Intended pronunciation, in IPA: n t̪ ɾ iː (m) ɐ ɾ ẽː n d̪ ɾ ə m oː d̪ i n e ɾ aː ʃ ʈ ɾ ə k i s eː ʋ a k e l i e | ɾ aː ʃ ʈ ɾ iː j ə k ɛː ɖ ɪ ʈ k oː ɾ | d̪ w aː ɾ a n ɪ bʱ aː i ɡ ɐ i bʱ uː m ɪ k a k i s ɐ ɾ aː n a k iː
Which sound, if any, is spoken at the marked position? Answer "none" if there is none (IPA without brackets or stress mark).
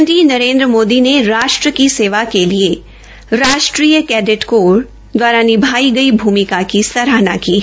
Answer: n